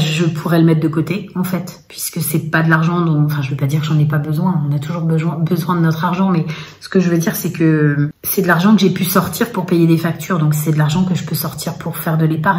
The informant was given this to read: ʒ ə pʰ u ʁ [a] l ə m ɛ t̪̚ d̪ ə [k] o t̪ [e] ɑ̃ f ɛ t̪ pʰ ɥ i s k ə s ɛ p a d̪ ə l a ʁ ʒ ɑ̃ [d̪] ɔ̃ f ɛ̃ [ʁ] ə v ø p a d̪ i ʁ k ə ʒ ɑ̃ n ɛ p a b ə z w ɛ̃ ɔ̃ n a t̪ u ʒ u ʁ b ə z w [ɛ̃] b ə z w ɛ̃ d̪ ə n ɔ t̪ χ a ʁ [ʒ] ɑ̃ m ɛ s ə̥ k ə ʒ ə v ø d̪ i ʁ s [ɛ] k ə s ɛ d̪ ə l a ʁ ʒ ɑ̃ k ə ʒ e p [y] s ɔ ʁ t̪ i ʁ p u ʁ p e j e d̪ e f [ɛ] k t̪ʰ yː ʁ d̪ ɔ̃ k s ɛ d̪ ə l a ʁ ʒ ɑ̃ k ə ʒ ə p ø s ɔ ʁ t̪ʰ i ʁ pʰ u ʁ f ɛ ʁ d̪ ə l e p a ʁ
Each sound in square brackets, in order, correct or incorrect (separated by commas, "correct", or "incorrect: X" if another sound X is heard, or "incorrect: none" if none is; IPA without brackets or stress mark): incorrect: ɛ, correct, correct, correct, incorrect: ʒ, correct, correct, correct, correct, incorrect: a